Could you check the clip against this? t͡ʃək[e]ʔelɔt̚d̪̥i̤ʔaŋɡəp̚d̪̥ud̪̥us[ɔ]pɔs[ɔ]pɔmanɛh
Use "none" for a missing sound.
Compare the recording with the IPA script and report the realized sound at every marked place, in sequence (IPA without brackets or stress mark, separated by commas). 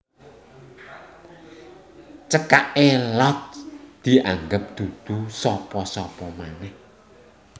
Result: a, ɔ, ɔ